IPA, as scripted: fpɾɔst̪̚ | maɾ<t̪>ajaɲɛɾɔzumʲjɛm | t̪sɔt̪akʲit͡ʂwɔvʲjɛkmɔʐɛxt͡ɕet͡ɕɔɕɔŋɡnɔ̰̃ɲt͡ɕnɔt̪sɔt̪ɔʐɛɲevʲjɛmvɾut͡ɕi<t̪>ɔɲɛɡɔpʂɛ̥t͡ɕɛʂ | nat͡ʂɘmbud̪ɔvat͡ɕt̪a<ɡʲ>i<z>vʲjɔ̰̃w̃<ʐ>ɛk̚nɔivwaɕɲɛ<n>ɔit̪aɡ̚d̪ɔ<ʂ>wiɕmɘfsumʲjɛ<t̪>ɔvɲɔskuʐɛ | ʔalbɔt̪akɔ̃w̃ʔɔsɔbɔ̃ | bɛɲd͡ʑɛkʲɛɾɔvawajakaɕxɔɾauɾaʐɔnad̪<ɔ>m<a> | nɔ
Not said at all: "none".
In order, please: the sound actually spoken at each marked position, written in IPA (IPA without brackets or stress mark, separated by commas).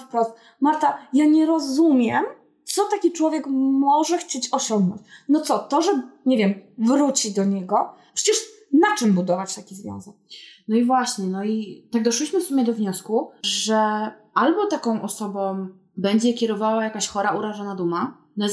t̪, d̪, kʲ, z, z, n, ʂ, d̪, u, a